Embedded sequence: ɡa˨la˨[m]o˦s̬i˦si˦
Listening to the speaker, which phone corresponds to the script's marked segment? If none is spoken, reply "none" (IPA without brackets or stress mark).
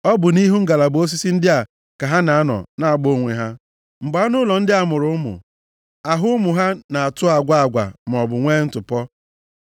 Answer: b